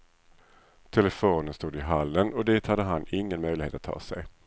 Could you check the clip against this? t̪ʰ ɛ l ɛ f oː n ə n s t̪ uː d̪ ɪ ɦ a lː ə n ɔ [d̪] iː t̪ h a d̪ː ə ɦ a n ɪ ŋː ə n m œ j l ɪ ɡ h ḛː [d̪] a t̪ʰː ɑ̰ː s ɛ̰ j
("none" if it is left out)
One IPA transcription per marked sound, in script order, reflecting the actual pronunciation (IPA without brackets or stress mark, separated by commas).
d̪, t̪